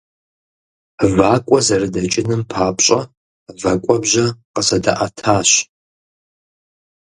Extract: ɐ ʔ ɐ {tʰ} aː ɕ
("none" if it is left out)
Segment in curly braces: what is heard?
tʰ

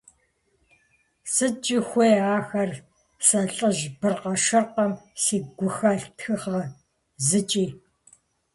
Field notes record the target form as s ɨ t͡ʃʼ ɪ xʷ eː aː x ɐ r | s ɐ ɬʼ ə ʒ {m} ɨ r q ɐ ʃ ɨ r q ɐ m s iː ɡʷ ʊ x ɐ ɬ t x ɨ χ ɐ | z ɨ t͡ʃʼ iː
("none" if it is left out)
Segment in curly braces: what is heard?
b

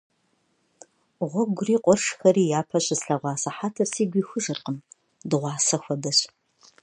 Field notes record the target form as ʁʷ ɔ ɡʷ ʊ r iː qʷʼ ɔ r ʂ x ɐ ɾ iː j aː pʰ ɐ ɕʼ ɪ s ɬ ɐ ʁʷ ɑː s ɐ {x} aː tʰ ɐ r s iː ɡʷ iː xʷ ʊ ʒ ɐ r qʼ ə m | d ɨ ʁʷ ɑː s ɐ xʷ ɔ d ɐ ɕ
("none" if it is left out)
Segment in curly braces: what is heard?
ħ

